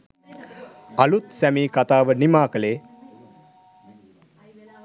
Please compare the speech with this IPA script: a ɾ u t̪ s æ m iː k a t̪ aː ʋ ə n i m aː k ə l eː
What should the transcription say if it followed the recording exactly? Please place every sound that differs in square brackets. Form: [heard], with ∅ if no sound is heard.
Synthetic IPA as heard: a [l] u t̪ s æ m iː k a t̪ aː ʋ ə n i m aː k ə l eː